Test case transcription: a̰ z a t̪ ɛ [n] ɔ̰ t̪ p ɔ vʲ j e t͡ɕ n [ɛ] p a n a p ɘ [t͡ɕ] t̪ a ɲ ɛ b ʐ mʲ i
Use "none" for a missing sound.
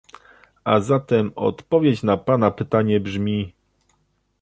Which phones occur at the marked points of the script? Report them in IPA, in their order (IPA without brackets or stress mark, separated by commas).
m, a, none